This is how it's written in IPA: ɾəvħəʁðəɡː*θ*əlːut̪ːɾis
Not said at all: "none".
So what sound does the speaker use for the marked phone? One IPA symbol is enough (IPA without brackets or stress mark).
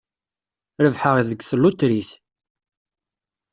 θ